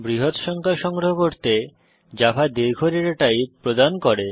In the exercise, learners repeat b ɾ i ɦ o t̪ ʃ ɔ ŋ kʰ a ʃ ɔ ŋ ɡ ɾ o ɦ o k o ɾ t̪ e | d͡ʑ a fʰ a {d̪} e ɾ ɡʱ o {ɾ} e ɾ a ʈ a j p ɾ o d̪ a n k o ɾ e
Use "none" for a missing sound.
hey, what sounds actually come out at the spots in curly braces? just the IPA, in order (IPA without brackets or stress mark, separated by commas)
d̪, ɾ